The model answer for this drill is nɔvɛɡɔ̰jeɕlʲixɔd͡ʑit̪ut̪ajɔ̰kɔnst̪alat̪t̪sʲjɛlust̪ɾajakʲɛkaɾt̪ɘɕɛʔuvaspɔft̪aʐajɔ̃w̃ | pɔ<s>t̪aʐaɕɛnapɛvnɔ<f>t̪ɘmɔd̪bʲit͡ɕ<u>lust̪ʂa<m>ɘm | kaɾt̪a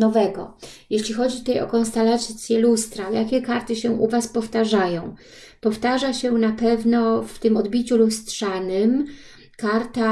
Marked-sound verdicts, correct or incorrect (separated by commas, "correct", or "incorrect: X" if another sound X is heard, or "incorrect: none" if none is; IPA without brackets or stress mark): incorrect: f, correct, correct, incorrect: n